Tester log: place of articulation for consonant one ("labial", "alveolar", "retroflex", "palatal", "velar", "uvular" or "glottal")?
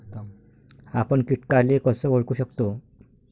labial